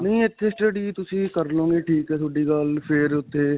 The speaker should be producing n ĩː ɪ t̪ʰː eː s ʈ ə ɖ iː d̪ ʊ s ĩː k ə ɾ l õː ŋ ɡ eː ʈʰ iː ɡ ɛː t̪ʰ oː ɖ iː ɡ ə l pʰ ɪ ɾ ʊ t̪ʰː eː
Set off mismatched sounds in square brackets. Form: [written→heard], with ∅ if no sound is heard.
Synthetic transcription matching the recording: n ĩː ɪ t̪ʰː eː s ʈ ə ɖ iː [d̪→t̪] ʊ s ĩː k ə ɾ l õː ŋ ɡ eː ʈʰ iː [ɡ→k] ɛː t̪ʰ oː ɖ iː ɡ ə l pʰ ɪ ɾ ʊ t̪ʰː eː